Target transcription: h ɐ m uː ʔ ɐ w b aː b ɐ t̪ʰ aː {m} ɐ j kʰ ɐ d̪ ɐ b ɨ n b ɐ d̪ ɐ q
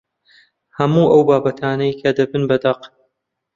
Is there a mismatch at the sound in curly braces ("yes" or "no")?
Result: yes